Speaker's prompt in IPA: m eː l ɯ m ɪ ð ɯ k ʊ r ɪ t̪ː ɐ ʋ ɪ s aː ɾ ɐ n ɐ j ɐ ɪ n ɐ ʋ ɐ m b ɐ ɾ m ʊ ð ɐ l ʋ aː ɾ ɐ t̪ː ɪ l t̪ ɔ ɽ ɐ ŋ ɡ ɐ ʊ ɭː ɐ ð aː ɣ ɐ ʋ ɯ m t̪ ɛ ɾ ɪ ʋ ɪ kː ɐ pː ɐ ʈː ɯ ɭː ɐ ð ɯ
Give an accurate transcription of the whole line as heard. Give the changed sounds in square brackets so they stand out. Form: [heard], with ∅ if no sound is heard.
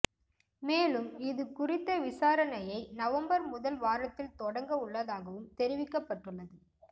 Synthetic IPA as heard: m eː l ɯ m ɪ ð ɯ k ʊ r ɪ t̪ː ɐ ʋ ɪ s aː ɾ ɐ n ɐ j ɐ ɪ n ɐ ʋ ɐ m b ɐ ɾ m ʊ ð ɐ l ʋ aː ɾ ɐ t̪ː ɪ l t̪ ɔ ɽ ɐ ŋ ɡ ɐ ʊ ɭː ɐ ð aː ɣ ɐ ʋ ɯ m t̪ ɛ ɾ ɪ ʋ ɪ kː ɐ pː ɐ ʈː ɯ ɭː ɐ ð ɯ